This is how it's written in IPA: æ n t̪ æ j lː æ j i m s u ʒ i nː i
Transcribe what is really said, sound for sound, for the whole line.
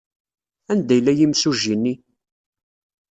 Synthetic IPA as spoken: æ n d̪ æ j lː æ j i m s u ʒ i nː i